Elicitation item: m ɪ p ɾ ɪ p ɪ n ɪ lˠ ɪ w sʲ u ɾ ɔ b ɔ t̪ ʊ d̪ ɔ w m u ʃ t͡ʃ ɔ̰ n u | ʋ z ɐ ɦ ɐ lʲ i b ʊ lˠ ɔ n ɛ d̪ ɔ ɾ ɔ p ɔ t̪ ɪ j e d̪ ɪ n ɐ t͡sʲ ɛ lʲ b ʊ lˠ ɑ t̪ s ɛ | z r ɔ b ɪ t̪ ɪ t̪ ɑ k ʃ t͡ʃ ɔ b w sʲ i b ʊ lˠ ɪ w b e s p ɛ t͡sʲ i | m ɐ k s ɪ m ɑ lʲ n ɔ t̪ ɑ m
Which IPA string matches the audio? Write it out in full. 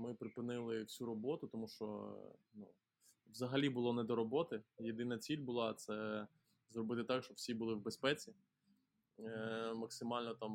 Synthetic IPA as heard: m ɪ p ɾ ɪ p ɪ n ɪ lˠ ɪ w sʲ u ɾ ɔ b ɔ t̪ ʊ t̪ ɔ m u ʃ t͡ʃ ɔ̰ n u | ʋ z ɐ ɦ ɐ lʲ i b ʊ lˠ ɔ n ɛ d̪ ɔ ɾ ɔ b ɔ t̪ ɪ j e d̪ ɪ n ɐ t͡sʲ i lʲ b ʊ lˠ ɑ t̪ s ɛ | z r ɔ b ɪ t̪ ɪ t̪ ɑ k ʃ t͡ʃ ɔ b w sʲ i b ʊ lˠ ɪ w b e s p ɛ t͡sʲ i | m ɐ k s ɪ m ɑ lʲ n ɔ t̪ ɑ m